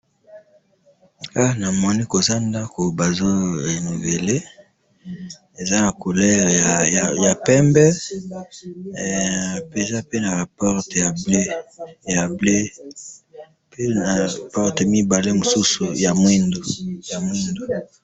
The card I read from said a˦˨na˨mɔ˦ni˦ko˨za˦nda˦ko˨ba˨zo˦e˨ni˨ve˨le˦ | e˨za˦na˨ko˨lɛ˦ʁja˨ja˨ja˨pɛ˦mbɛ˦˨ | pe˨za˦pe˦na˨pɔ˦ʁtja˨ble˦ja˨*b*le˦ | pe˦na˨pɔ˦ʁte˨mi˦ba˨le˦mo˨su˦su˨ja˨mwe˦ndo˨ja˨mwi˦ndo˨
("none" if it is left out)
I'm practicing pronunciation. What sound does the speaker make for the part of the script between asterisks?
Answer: b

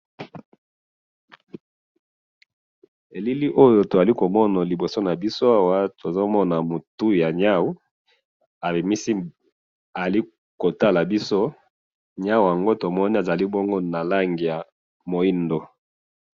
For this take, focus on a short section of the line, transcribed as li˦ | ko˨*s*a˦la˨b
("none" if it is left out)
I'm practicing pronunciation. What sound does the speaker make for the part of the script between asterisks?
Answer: t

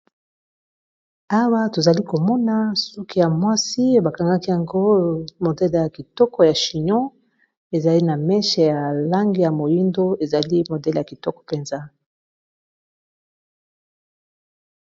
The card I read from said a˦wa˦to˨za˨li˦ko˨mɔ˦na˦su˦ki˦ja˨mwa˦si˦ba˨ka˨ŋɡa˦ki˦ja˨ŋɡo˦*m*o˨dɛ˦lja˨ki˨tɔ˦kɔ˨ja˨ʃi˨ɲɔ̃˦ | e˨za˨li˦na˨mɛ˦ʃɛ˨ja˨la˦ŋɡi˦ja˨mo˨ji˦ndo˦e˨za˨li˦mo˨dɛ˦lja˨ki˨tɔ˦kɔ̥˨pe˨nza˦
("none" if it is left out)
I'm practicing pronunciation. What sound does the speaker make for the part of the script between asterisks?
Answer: m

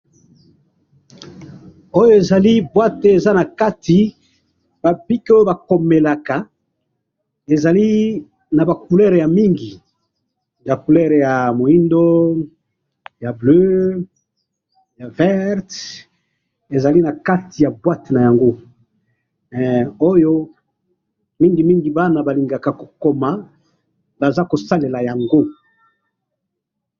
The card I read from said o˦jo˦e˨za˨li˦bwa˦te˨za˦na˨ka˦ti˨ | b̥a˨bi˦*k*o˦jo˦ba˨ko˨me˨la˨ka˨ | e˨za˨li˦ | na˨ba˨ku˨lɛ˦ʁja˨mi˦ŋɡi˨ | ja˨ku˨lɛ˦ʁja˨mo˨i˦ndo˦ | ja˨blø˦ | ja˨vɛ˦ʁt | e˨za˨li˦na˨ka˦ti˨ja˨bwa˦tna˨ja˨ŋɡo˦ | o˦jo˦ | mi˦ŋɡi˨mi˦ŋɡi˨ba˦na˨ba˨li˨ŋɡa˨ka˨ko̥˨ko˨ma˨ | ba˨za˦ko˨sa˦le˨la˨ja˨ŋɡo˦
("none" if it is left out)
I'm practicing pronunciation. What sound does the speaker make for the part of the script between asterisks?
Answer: k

